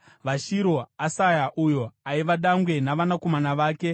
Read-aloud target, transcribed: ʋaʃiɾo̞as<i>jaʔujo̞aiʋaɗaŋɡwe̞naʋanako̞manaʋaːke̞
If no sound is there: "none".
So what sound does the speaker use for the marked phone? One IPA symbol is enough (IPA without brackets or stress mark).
a